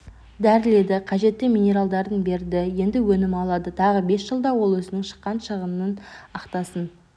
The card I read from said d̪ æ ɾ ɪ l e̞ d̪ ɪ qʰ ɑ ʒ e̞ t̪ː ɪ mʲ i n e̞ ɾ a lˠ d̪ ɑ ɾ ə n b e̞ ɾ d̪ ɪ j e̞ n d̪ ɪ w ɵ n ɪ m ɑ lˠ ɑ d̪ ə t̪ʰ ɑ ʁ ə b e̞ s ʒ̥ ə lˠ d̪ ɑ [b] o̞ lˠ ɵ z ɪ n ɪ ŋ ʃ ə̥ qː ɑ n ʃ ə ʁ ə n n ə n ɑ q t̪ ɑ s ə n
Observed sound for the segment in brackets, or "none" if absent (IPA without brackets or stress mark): w